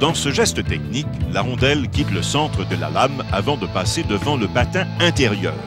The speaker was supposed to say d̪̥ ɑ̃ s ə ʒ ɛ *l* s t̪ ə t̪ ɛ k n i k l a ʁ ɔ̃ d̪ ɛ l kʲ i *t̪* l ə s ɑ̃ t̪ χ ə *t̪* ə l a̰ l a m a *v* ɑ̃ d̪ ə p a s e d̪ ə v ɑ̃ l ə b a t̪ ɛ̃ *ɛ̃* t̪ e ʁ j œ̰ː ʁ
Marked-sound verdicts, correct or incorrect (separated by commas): incorrect, correct, incorrect, correct, correct